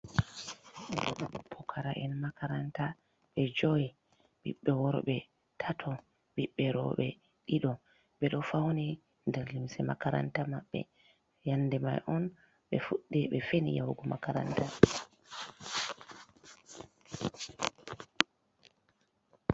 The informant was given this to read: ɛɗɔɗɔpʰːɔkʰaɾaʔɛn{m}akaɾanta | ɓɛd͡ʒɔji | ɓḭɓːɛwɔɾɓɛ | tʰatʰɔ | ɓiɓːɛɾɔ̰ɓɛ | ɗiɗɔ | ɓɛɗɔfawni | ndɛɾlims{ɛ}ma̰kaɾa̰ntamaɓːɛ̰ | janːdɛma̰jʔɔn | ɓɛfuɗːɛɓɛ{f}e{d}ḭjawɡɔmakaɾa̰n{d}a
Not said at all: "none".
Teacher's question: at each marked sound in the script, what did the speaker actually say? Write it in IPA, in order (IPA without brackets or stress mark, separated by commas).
m, ɛ, f, n, t